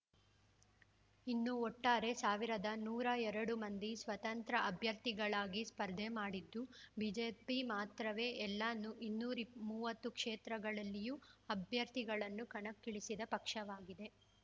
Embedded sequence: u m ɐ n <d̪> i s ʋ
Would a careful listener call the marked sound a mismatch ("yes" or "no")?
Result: no